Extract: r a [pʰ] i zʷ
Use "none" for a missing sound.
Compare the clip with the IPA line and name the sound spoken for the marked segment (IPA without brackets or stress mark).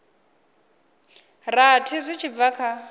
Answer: tʰ